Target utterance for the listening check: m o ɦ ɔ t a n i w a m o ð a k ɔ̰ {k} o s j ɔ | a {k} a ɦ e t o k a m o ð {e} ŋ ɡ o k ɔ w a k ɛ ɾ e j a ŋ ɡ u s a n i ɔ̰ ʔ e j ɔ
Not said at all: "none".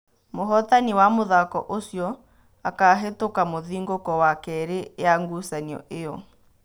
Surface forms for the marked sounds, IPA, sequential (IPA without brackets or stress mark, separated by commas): ʔ, k, i